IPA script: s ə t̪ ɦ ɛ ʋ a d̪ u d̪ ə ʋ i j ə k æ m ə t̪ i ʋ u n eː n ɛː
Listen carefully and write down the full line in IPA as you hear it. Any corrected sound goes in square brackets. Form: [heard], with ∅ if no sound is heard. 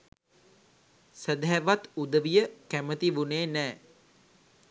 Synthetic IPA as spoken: s ə [d̪] ɦ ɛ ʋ a [t̪] u d̪ ə ʋ i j ə k æ m ə t̪ i ʋ u n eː n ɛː

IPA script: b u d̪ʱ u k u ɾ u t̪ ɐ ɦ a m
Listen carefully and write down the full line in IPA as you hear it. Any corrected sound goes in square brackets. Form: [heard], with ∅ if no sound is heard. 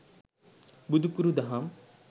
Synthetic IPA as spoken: b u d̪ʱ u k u ɾ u [d̪] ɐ ɦ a m

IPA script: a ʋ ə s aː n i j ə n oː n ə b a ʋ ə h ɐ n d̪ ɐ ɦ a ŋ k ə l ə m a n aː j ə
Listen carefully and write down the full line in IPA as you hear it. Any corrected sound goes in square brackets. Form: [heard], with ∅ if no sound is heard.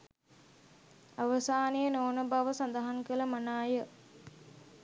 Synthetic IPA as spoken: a ʋ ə s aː n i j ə n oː n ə b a ʋ ə [s] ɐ n d̪ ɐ ɦ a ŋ k ə l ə m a n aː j ə

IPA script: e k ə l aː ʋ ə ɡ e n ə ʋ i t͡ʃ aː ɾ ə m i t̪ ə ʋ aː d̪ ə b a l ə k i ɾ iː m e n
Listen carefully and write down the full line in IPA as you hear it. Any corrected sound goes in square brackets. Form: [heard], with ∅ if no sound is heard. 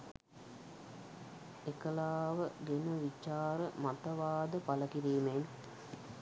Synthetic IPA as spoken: e k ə l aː ʋ ə ɡ e n ə ʋ i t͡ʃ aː ɾ ə m [a] t̪ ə ʋ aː d̪ ə [p] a l ə k i ɾ iː m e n

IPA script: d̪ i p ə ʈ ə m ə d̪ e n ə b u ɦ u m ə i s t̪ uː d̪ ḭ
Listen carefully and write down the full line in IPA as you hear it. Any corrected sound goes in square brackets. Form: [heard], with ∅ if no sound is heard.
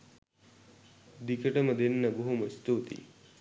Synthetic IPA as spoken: d̪ i [k] ə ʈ ə m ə d̪ e [nː] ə b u ɦ u m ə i s t̪ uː [t̪] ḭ

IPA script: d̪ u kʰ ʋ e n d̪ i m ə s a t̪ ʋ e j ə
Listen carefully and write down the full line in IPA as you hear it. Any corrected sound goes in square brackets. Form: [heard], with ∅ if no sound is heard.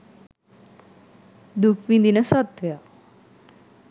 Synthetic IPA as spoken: d̪ u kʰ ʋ [i] n d̪ i [n] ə s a t̪ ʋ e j [a]

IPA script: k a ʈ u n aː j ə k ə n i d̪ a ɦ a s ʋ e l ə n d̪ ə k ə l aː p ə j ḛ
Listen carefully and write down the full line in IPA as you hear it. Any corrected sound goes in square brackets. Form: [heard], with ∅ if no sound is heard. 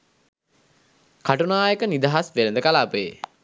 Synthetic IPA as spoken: k a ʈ u n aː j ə k ə n i d̪ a ɦ a s ʋ e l ə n d̪ ə k [a] l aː p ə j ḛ

